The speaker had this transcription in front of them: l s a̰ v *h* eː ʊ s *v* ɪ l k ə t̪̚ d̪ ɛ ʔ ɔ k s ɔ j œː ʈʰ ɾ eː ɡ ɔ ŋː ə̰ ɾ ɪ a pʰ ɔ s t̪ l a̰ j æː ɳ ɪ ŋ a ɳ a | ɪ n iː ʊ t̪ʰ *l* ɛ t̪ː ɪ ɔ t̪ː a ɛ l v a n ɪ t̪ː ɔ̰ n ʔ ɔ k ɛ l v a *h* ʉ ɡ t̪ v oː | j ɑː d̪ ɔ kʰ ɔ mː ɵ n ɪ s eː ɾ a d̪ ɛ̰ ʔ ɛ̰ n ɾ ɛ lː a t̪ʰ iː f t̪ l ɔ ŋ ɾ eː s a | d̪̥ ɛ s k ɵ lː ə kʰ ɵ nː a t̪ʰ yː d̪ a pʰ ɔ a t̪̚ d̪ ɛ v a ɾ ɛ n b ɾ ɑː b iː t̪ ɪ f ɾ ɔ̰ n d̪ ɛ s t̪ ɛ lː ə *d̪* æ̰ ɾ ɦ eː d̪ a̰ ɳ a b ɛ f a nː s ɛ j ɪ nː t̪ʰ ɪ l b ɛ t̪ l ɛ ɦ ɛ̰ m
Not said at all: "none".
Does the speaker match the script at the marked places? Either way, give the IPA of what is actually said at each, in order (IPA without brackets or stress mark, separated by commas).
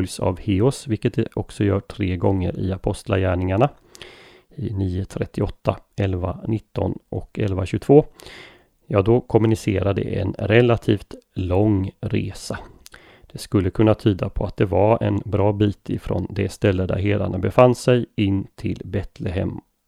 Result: h, v, ɾ, ɕ, d̪